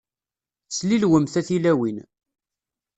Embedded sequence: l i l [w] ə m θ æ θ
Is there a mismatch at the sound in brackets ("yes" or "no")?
no